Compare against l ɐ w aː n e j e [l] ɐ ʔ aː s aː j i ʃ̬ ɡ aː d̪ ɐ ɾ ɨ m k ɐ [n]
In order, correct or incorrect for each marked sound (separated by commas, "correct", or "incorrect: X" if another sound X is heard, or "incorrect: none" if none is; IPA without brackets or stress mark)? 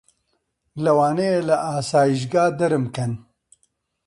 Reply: correct, correct